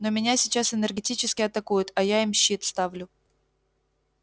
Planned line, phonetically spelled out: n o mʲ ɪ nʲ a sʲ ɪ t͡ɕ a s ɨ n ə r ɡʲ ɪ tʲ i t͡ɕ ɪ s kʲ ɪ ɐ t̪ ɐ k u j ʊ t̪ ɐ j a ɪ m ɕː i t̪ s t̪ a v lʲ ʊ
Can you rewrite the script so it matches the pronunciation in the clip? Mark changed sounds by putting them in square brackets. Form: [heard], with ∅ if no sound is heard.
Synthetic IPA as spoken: n o mʲ ɪ nʲ a sʲ ɪ t͡ɕ a s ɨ n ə r ɡʲ ɪ tʲ i t͡ɕ ɪ s kʲ ɪ ɐ t̪ ɐ k u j ʊ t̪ ɐ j a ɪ m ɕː i t̪ s t̪ a v lʲ ʊ

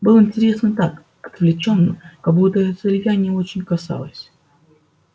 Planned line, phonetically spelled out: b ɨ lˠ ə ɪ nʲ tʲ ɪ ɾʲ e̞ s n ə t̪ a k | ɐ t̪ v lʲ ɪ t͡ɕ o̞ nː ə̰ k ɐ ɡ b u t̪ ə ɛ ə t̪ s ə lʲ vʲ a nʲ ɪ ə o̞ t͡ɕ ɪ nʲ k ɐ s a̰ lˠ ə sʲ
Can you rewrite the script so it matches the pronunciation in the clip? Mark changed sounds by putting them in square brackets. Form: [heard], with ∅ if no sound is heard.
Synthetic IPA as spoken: b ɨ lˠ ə ɪ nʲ tʲ ɪ ɾʲ e̞ s n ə t̪ a k | ɐ t̪ v lʲ ɪ t͡ɕ o̞ nː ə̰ k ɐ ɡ b u t̪ ə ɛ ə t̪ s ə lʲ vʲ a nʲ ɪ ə o̞ t͡ɕ ɪ nʲ k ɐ s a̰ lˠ ə sʲ

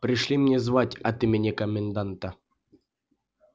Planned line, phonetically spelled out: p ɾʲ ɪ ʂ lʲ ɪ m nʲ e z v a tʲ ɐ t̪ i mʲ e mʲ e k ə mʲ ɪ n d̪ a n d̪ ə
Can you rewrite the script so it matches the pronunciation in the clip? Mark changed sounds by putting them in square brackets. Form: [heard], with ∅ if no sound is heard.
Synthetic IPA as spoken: p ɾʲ ɪ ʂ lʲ [i] m nʲ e z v a tʲ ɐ t̪ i mʲ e [nʲ] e k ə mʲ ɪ n d̪ a n [t̪] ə

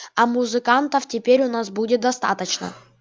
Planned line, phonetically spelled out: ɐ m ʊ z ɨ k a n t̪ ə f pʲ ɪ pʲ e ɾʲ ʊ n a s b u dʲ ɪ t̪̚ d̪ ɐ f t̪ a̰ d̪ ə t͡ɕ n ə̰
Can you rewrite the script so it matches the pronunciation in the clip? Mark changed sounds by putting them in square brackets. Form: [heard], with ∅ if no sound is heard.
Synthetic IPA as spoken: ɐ m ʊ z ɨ k a n t̪ ə f [tʲ] ɪ pʲ e ɾʲ ʊ n a s b u dʲ ɪ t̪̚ d̪ ɐ [s] t̪ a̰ [t̪] ə t͡ɕ n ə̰

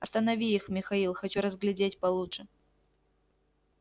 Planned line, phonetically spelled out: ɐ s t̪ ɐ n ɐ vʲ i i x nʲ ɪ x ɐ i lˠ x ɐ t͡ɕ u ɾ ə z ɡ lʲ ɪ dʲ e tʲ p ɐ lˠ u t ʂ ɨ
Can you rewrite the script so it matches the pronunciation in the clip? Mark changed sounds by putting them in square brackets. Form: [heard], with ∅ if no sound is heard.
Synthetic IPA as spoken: ɐ s t̪ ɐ n ɐ vʲ i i x [mʲ] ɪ x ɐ i lˠ x ɐ t͡ɕ u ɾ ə z ɡ lʲ ɪ dʲ e tʲ p ɐ lˠ u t ʂ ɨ

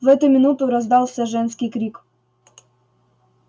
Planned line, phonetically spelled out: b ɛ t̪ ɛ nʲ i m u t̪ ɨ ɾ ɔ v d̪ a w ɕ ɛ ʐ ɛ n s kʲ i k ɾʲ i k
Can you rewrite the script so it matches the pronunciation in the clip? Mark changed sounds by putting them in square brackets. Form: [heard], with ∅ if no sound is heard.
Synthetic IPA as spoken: [v] ɛ t̪ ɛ [mʲ] i [n] u t̪ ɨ ɾ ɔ [z] d̪ a w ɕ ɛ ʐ ɛ n s kʲ i k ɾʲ i k

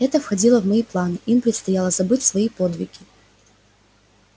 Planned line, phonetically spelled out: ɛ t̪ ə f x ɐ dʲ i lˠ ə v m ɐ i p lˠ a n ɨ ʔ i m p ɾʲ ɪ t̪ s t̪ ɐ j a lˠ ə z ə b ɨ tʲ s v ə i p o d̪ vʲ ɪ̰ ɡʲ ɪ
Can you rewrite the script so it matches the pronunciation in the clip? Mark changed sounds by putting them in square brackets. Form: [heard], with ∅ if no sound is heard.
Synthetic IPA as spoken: ɛ t̪ ə f x ɐ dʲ i lˠ ə v m ɐ i p lˠ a n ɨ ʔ i m p ɾʲ ɪ t̪ s t̪ ɐ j a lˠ ə z [ɐ] b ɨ tʲ s v [ɐ] i p o d̪ vʲ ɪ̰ ɡʲ ɪ

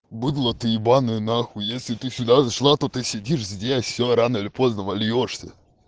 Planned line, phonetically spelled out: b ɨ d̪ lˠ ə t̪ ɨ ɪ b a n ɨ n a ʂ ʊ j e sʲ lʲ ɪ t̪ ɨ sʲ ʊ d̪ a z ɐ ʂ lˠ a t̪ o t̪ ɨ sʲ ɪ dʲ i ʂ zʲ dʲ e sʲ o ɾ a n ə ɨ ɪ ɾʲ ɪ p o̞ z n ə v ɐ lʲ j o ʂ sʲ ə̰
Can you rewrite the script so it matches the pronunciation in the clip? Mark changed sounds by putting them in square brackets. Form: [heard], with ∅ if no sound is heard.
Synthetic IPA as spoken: b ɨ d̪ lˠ ə t̪ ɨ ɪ b a n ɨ n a [x] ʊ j e sʲ lʲ ɪ t̪ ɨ sʲ ʊ d̪ a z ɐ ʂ lˠ a t̪ o t̪ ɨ sʲ ɪ dʲ i ʂ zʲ dʲ e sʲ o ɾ a n ə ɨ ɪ [lʲ] ɪ p o̞ z n ə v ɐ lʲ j o ʂ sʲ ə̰

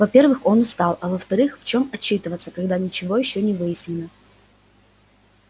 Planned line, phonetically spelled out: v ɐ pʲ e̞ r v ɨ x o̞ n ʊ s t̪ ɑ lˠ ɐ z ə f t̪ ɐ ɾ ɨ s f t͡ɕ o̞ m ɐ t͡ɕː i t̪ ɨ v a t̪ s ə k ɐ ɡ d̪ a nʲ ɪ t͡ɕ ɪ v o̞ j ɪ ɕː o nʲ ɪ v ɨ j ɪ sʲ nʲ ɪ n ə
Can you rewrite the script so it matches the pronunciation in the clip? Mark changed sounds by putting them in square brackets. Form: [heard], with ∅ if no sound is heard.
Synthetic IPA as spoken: v ɐ pʲ e̞ r v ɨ x o̞ n ʊ s t̪ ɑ lˠ ɐ [v] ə f t̪ ɐ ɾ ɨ [x] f t͡ɕ o̞ m ɐ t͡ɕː i t̪ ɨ v [ə] t̪ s ə k ɐ ɡ d̪ a nʲ ɪ t͡ɕ ɪ v o̞ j ɪ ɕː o nʲ ɪ v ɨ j ɪ sʲ nʲ ɪ n ə

